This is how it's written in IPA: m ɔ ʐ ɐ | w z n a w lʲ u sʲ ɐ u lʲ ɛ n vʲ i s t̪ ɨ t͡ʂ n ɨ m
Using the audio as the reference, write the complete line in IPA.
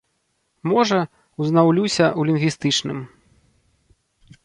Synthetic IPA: m ɔ ʐ ɐ | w z n a w lʲ u sʲ ɐ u lʲ i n vʲ i s t̪ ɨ t͡ʂ n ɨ m